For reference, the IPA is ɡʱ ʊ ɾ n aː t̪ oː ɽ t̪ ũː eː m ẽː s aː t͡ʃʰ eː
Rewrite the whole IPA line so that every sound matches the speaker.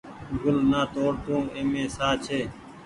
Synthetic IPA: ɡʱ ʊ l n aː t̪ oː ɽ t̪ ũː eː m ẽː s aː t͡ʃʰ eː